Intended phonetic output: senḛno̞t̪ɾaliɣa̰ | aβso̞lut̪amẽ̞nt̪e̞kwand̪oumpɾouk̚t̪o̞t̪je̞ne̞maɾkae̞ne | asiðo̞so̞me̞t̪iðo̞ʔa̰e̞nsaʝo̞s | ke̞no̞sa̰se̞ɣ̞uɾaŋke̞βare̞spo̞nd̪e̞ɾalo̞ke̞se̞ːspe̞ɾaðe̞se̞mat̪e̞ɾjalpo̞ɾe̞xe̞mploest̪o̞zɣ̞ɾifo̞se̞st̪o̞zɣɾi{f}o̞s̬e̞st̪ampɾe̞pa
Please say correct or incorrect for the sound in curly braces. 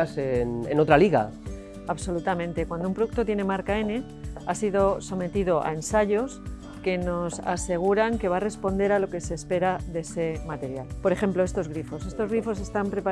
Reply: correct